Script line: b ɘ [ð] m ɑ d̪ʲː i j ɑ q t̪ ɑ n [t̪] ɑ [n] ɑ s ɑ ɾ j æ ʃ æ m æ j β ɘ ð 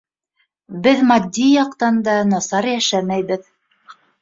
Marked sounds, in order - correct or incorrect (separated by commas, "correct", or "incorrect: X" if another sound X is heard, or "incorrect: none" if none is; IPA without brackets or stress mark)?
correct, incorrect: d̪, correct